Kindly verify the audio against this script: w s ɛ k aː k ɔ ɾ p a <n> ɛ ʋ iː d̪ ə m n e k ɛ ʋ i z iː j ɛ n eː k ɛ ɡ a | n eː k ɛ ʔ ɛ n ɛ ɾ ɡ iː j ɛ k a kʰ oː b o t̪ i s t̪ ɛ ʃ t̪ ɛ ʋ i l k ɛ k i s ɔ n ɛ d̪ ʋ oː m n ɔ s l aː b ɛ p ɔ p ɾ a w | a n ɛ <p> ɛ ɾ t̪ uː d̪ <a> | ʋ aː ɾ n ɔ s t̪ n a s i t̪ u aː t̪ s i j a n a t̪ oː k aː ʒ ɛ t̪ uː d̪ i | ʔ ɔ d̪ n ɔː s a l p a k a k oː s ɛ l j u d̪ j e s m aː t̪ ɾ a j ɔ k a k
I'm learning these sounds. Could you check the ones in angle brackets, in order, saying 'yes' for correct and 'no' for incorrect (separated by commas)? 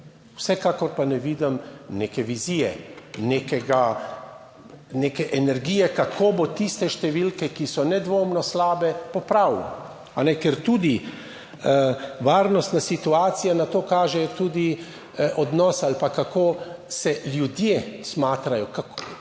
yes, no, no